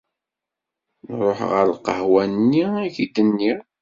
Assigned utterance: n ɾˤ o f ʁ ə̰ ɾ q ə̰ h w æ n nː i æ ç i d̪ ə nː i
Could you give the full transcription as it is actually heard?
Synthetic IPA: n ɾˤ o ħ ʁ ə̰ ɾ q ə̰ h w æ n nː i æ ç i d̪ ə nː i